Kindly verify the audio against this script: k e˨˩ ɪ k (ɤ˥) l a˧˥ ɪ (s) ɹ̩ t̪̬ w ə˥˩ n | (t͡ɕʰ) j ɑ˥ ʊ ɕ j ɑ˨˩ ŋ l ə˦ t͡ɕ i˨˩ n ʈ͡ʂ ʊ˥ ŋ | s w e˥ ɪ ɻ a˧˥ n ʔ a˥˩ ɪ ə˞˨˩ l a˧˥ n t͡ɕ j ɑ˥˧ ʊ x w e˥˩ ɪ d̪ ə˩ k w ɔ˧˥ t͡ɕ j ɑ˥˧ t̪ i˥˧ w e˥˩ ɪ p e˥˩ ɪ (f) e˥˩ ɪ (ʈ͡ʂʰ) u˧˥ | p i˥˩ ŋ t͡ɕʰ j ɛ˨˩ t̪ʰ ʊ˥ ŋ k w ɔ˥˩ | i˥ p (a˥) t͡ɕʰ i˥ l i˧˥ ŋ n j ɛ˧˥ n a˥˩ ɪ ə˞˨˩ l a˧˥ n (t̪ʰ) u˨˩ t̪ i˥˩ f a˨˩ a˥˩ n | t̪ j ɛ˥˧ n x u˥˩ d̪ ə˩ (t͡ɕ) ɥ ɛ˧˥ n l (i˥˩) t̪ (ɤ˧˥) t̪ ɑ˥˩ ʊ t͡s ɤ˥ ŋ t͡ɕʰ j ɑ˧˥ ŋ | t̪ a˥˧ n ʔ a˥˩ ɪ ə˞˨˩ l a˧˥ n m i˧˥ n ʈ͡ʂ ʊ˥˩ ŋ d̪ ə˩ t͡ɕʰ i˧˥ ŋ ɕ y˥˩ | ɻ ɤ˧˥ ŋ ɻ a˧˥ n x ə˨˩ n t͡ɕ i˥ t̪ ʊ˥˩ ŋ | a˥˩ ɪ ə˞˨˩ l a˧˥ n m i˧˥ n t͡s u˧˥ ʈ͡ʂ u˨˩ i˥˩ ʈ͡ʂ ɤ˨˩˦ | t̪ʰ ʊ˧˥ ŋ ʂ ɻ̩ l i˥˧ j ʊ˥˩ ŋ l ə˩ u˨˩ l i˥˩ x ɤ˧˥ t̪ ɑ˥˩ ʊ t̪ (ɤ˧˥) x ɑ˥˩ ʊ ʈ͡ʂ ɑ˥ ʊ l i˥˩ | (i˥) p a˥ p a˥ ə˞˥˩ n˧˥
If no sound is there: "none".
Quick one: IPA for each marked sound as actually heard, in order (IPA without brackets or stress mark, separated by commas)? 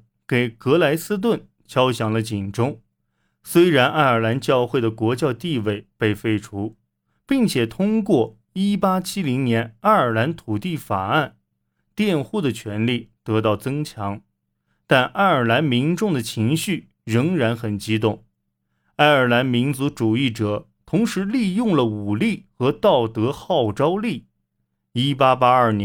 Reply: ɤ˧˥, s, t͡ɕʰ, f, ʈ͡ʂʰ, a˥, t̪ʰ, t͡ɕʰ, i˥˩, ɤ˧˥, ɤ˧˥, i˥